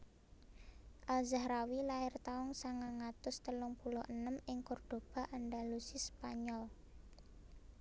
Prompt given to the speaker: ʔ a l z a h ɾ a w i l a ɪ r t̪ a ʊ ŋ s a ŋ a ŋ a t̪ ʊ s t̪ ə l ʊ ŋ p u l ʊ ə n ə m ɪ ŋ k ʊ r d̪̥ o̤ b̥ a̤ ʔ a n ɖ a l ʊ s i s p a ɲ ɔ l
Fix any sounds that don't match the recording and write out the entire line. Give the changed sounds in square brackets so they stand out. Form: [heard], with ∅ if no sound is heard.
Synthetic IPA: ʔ a l z a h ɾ a w i l a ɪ r t̪ a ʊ ŋ s a ŋ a ŋ a t̪ ʊ s t̪ ə l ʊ ŋ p u l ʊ ə n ə m ɪ ŋ k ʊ r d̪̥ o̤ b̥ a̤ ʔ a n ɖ a l [u] s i s p a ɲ ɔ l